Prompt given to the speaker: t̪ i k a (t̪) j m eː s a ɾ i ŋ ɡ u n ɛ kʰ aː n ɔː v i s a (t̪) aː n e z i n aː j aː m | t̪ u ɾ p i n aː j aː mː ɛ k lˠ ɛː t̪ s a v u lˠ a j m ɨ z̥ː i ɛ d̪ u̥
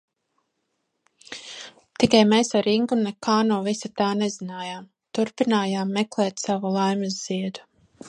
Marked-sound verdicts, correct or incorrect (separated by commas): incorrect, correct